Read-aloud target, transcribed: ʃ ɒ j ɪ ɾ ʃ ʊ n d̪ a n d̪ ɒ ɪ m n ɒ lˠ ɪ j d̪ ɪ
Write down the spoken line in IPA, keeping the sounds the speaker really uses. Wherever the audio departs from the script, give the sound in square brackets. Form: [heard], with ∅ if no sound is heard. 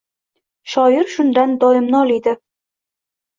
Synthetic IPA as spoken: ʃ ɒ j ɪ ɾ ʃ ʊ n d̪ a n d̪ ɒ ɪ m n ɒ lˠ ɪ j d̪ ɪ

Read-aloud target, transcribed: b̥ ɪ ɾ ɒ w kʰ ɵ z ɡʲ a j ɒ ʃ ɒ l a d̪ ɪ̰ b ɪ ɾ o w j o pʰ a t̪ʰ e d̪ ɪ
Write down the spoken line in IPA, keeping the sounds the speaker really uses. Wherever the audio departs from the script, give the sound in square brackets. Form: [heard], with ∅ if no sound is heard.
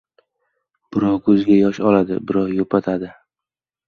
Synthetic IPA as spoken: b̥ ɪ ɾ ɒ w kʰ ɵ z ɡʲ a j ɒ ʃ ɒ l a d̪ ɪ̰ b ɪ ɾ [ɒ] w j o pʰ a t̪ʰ [a] d̪ ɪ

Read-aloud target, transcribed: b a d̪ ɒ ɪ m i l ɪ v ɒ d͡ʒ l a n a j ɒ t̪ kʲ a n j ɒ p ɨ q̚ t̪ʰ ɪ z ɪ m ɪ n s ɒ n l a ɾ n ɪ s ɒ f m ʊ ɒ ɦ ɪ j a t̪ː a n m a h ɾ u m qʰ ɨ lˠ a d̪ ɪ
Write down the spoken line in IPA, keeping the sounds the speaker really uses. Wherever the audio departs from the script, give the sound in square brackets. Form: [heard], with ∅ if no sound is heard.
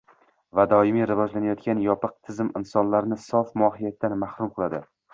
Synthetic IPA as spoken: [v] a d̪ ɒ ɪ m i [ɾ] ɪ v ɒ d͡ʒ l a n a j ɒ t̪ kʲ a n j ɒ p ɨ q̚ t̪ʰ ɪ z ɪ m ɪ n s ɒ n l a ɾ n ɪ s ɒ f m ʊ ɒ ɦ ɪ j a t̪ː a n m a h ɾ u m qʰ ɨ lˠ a d̪ ɪ

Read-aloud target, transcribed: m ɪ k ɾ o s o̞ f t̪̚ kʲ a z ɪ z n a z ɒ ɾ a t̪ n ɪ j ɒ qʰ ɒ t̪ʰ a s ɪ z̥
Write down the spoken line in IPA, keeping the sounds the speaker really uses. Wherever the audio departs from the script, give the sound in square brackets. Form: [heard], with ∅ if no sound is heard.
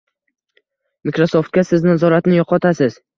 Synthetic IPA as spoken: m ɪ k ɾ o s o̞ f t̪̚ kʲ a [s] ɪ z n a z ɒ ɾ a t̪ n ɪ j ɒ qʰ ɒ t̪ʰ a s ɪ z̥

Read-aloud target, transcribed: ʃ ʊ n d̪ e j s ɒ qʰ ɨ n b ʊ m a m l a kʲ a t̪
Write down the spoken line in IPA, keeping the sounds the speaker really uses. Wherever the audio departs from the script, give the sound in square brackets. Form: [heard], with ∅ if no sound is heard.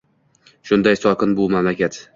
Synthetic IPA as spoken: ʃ ʊ n d̪ [a] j s ɒ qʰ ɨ n b ʊ m a m l a kʲ a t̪

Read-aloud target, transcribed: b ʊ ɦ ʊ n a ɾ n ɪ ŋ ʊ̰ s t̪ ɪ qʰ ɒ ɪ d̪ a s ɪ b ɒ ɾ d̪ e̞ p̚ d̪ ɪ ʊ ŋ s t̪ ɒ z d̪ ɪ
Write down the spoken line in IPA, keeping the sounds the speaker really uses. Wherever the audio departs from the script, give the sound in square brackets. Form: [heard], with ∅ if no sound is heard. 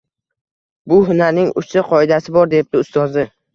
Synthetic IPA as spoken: b ʊ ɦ ʊ n a ɾ n ɪ ŋ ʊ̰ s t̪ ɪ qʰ ɒ ɪ d̪ a s ɪ b ɒ ɾ d̪ e̞ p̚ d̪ ɪ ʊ [∅] s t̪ ɒ z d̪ ɪ

